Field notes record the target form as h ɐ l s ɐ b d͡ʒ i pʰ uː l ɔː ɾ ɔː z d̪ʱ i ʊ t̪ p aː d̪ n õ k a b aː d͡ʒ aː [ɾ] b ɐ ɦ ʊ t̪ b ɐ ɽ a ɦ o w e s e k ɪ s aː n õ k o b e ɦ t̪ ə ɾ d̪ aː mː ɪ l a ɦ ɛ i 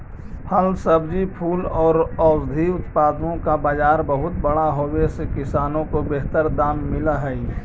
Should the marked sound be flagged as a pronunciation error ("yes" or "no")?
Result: no